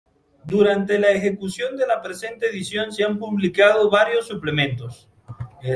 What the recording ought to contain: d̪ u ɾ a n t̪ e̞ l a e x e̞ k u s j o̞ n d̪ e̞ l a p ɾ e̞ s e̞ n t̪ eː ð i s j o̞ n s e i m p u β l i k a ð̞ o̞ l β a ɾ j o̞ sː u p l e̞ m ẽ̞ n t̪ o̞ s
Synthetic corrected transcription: d̪ u ɾ a n t̪ e̞ l a e x e̞ k u s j o̞ n d̪ e̞ l a p ɾ e̞ s e̞ n t̪ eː ð i s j o̞ n s e a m p u β l i k a ð̞ o̞ β a ɾ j o̞ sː u p l e̞ m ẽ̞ n t̪ o̞ s